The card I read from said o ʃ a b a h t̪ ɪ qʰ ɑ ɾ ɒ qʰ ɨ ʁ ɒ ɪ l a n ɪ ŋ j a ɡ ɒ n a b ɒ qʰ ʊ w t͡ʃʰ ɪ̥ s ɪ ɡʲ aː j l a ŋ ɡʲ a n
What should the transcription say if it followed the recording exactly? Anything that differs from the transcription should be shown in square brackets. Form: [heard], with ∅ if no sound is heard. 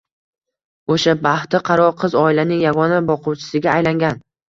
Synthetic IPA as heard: o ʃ a b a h t̪ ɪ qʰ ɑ ɾ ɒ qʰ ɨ [z] ɒ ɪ l a n ɪ ŋ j a ɡ ɒ n a b ɒ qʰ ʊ w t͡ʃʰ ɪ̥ s ɪ ɡʲ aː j l a ŋ ɡʲ a n